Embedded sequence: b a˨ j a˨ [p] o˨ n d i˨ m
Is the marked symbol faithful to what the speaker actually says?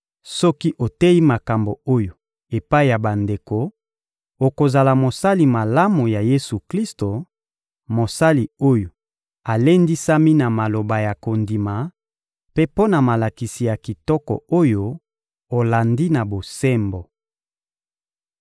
no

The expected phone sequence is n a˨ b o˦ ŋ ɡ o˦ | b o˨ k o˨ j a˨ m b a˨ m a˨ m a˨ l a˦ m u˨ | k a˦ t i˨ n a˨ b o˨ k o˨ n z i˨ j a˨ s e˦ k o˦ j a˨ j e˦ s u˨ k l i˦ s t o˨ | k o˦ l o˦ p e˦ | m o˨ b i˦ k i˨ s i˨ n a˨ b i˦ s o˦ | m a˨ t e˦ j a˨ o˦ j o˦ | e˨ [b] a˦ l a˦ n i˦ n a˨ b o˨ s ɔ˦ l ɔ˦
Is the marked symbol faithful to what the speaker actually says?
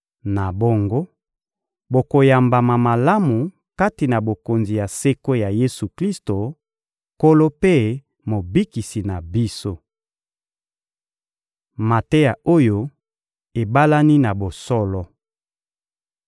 yes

